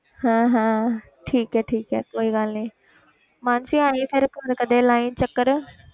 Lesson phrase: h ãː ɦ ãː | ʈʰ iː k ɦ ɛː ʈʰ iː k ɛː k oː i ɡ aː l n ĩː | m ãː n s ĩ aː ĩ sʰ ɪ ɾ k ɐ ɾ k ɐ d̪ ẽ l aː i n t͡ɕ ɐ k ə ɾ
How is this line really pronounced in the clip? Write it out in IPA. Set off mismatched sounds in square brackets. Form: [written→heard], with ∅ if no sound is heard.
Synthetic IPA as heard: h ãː ɦ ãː | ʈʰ iː k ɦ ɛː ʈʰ iː k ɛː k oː i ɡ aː l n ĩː | m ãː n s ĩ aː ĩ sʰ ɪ ɾ k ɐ ɾ k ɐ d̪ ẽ l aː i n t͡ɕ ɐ k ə ɾ